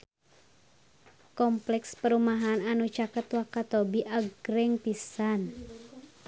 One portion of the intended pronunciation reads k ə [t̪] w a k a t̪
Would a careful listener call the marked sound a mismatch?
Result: no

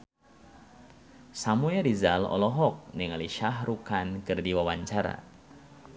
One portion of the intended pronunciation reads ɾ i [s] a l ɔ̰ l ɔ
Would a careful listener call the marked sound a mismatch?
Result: yes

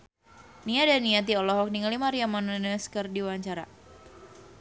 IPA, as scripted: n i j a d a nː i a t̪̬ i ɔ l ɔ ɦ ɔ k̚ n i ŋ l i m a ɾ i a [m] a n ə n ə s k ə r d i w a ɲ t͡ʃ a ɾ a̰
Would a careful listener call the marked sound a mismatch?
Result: no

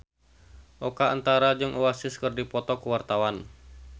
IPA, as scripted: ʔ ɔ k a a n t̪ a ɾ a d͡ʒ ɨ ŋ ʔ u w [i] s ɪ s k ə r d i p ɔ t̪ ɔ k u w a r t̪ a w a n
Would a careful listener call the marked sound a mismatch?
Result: yes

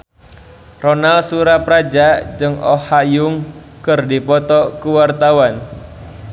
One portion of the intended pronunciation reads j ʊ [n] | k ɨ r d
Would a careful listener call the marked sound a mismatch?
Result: yes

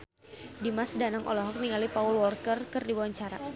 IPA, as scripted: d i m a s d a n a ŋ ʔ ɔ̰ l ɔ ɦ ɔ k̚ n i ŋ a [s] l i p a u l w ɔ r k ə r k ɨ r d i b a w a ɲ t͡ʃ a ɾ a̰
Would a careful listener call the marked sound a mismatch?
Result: yes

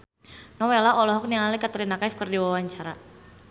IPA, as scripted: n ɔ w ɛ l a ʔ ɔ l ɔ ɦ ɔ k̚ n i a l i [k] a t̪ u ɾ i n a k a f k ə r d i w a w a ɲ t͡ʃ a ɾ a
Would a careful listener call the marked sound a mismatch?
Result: no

